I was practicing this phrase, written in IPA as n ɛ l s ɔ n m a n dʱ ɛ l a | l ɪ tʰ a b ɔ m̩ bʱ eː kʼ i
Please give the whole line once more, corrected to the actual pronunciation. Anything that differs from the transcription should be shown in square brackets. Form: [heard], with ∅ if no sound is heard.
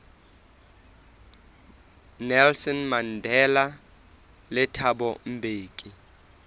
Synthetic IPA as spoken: n ɛ l s ɔ n m a n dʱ ɛ l a | l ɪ tʰ a b ɔ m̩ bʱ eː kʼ i